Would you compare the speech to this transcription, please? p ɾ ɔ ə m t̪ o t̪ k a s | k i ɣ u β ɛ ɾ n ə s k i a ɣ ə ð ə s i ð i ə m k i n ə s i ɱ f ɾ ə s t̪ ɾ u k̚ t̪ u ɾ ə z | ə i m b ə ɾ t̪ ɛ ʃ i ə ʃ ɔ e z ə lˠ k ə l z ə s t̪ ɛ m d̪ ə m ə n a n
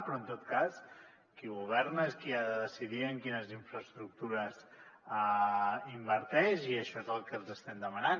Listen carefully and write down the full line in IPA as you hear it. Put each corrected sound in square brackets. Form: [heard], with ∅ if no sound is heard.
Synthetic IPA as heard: p ɾ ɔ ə [n] t̪ o t̪ k a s | k i ɣ u β ɛ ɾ n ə s k i a [ð] ə ð ə s i ð i ə [ŋ] k i n ə [z] i ɱ f ɾ ə s t̪ ɾ u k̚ t̪ u ɾ ə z | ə i m b ə ɾ t̪ ɛ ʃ i ə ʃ ɔ e z ə lˠ k ə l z ə s t̪ ɛ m d̪ ə m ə n a n